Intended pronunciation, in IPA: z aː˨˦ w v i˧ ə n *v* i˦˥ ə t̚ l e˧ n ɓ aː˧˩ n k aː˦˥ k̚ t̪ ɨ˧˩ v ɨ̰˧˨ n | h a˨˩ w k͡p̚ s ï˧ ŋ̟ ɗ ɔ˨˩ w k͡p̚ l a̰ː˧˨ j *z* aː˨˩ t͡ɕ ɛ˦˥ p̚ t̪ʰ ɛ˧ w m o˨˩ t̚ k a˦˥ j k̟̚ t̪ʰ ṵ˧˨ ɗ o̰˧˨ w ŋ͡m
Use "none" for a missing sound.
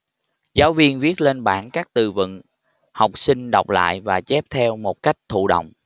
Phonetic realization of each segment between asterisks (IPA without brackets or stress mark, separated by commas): v, v